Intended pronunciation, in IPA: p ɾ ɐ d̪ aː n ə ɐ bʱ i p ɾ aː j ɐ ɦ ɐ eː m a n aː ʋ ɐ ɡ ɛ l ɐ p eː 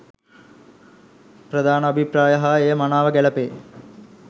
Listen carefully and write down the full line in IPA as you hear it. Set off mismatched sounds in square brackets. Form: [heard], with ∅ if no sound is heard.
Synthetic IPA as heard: p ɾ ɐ d̪ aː n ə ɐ bʱ i p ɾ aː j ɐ ɦ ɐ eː m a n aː ʋ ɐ ɡ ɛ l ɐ p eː